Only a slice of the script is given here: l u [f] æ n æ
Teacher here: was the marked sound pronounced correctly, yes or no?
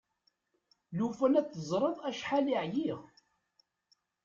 yes